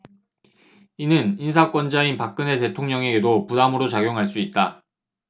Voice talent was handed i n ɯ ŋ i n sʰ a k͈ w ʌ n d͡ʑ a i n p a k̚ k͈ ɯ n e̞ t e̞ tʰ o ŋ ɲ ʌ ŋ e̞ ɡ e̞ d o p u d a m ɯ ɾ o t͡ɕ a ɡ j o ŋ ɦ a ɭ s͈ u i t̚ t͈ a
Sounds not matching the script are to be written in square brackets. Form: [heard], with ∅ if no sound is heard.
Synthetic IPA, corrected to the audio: i n ɯ [n] i n sʰ a k͈ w ʌ n d͡ʑ a i n p a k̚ k͈ ɯ n e̞ t e̞ tʰ o ŋ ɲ ʌ ŋ e̞ ɡ e̞ d o p u d a m ɯ ɾ o t͡ɕ a ɡ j o ŋ ɦ a ɭ s͈ u i t̚ t͈ a